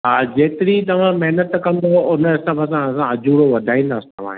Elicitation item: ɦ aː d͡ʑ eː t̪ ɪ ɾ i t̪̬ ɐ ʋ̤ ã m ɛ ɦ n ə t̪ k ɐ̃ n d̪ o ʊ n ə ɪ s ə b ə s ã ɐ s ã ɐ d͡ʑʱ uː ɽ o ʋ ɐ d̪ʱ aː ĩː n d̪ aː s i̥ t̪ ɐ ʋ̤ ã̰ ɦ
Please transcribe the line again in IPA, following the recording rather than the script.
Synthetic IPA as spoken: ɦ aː d͡ʑ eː t̪ ɪ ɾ i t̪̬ ɐ ʋ̤ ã m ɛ ɦ n ə t̪ k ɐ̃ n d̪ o ʊ n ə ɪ s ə b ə s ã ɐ s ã ɐ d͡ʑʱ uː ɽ o ʋ ɐ d̪ʱ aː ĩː n d̪ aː s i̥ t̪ ɐ ʋ̤ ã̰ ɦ